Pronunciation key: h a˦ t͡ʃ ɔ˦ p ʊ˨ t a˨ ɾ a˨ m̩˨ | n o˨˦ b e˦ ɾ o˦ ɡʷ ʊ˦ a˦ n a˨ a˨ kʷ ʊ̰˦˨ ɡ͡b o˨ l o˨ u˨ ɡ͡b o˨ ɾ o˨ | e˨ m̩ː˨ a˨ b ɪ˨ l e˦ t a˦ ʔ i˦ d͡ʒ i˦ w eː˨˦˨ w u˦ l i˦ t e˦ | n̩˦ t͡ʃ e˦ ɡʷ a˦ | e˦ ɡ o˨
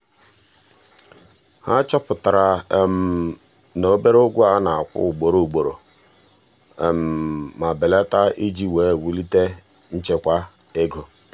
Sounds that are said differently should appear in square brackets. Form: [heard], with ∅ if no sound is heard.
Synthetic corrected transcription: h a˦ t͡ʃ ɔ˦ p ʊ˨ t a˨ ɾ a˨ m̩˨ | n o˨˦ b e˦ ɾ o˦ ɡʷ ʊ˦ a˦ n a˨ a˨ kʷ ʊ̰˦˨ ɡ͡b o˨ [ɾ] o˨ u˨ ɡ͡b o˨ ɾ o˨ | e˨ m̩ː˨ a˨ b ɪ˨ l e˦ t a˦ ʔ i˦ d͡ʒ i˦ w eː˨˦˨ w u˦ l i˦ t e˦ | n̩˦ t͡ʃ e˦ [kʷ] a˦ | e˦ ɡ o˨